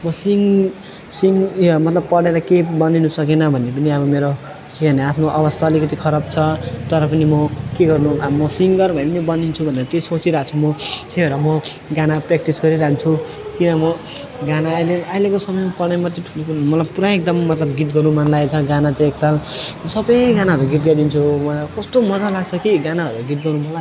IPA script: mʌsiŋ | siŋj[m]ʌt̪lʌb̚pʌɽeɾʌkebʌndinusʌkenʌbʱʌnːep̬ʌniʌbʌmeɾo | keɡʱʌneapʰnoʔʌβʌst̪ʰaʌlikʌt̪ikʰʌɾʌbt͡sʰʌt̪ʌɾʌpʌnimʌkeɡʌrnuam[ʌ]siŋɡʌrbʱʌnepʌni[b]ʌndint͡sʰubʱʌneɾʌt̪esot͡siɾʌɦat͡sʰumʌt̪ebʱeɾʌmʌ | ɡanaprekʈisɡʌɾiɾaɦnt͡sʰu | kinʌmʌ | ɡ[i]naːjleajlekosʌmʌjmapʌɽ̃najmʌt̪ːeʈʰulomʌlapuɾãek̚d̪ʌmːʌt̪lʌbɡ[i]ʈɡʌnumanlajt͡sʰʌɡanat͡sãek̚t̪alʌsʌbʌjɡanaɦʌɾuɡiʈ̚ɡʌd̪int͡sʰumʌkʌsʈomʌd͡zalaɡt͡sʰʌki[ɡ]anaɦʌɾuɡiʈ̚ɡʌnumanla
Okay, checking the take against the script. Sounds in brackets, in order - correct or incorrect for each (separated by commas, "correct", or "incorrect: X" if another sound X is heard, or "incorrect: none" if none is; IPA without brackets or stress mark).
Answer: correct, correct, correct, incorrect: a, correct, correct